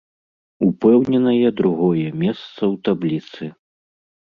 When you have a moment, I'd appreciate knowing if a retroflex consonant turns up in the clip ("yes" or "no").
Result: no